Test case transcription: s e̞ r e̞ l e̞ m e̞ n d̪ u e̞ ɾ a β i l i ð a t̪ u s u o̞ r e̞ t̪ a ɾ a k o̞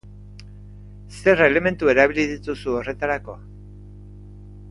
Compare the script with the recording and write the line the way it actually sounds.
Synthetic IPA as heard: s e̞ r e̞ l e̞ m e̞ n t̪ u e̞ ɾ a β i l i ð i t̪ u s u o̞ r e̞ t̪ a ɾ a k o̞